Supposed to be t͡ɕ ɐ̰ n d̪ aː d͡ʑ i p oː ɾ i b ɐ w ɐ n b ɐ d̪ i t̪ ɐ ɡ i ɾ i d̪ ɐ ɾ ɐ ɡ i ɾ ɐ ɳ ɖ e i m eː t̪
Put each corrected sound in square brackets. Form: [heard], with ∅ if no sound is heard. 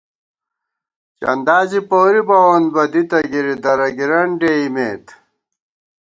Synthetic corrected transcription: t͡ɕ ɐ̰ n d̪ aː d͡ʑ i p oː ɾ i b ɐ w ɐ n b ɐ d̪ i t̪ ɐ ɡ i ɾ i d̪ ɐ ɾ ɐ ɡ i ɾ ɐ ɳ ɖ e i m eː t̪